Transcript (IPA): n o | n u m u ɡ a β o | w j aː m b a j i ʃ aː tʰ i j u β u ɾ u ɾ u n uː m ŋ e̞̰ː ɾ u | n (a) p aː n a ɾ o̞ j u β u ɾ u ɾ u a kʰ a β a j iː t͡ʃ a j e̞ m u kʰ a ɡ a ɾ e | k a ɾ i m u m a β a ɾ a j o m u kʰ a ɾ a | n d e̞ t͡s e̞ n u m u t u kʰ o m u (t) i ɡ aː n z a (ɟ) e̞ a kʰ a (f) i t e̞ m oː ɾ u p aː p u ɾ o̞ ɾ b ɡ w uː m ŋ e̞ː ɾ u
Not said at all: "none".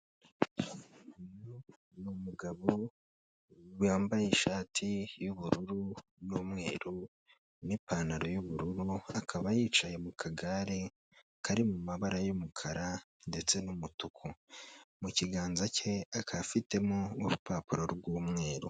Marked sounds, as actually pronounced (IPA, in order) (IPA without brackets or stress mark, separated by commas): i, c, c, f